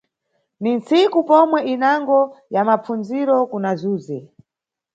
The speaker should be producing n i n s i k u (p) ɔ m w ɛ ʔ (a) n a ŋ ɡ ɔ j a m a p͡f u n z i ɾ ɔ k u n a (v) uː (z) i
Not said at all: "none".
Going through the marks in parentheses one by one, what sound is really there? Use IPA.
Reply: p, i, z, z

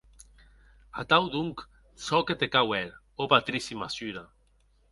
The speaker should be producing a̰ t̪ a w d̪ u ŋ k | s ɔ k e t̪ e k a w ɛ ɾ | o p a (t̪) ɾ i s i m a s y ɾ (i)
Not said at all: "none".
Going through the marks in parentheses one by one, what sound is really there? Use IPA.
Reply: t̪, a

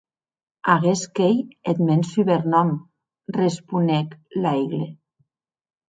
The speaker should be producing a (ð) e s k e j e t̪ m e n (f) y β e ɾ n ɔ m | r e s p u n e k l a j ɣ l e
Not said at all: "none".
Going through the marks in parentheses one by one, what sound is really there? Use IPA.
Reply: ɣ, s

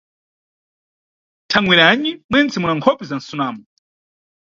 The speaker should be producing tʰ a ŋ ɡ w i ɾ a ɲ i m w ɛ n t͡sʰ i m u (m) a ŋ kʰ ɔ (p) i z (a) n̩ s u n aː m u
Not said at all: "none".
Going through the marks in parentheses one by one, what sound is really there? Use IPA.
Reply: n, p, a

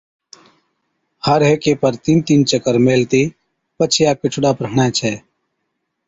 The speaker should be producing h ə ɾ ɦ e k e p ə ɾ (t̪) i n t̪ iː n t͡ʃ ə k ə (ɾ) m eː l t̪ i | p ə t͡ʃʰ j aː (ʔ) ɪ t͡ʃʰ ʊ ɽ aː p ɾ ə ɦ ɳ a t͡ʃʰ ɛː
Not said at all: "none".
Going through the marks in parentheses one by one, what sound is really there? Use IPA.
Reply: t̪, ɾ, k

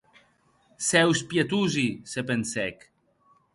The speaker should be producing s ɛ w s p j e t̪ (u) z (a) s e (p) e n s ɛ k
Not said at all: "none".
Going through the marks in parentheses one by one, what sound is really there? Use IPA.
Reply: u, i, p

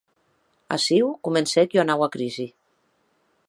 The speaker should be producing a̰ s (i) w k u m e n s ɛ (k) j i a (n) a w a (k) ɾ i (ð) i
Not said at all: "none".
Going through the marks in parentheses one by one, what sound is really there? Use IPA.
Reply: i, k, n, k, z

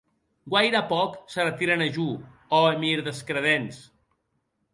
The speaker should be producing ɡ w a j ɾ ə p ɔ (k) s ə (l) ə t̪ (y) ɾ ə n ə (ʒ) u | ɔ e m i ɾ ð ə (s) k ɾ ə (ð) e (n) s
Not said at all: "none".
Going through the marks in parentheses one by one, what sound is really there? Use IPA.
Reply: k, r, i, ʒ, s, ð, n

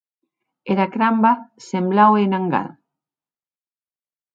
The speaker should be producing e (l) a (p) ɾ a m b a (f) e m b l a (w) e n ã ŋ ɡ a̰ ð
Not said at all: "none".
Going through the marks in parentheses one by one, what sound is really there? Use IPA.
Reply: ɾ, k, s, w

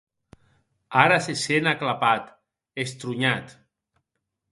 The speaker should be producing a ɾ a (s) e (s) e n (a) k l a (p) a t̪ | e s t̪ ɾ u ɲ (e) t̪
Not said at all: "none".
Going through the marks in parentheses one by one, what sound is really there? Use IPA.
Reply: s, s, a, p, a

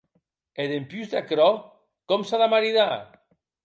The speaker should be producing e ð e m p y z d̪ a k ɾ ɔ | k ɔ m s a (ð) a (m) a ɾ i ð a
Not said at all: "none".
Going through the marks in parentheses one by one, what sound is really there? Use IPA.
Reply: ð, m

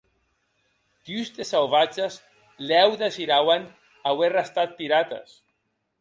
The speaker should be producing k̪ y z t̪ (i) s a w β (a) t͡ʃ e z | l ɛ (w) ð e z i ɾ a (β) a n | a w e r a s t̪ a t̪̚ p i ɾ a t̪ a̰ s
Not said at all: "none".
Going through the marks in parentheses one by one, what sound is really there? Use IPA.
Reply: e, a, w, w

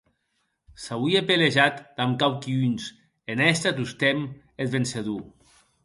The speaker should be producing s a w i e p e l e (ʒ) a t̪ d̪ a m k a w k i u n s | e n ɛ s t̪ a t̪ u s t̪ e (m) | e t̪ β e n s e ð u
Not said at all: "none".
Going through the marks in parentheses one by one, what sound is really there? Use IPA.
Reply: ʒ, m

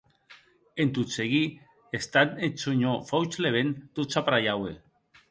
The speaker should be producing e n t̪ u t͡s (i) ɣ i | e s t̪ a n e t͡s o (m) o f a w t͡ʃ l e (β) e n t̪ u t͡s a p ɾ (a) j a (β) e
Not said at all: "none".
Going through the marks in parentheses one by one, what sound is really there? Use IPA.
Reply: e, ɲ, β, a, w

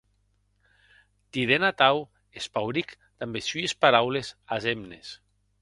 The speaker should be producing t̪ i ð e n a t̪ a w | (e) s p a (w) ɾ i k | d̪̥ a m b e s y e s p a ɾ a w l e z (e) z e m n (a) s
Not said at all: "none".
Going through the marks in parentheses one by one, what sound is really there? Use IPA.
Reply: e, w, a, e

